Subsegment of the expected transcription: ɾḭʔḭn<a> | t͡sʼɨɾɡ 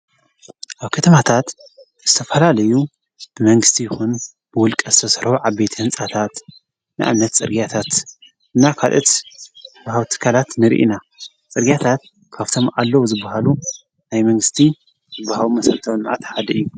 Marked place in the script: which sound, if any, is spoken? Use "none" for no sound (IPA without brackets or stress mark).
a